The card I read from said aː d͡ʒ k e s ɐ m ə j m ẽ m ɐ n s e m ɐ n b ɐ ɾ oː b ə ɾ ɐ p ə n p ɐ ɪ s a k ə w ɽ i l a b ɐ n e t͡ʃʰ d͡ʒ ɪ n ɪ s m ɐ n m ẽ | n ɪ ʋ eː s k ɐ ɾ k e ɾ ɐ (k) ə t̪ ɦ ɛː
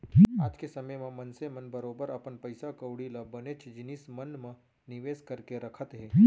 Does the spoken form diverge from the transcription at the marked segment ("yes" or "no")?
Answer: yes